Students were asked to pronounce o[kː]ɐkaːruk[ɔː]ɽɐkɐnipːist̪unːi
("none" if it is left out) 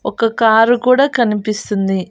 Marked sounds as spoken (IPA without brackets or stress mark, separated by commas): kː, uː